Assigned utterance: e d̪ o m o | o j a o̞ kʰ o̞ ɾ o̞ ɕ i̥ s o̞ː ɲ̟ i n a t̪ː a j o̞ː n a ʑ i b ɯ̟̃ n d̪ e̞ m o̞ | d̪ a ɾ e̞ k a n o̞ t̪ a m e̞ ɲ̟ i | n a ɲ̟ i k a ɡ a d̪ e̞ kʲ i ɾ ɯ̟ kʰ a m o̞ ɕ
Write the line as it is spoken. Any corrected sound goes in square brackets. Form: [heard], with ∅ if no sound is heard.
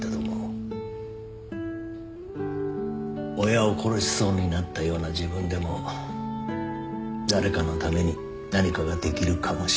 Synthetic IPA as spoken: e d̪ o m o | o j a o̞ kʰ o̞ ɾ o̞ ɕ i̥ s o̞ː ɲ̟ i n a t̪ː a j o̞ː n a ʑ i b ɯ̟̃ n d̪ e̞ m o̞ | d̪ a ɾ e̞ k a n o̞ t̪ a m e̞ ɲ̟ i | n a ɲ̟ i k a ɡ a d̪ e̞ kʲ i ɾ ɯ̟ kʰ a m o̞ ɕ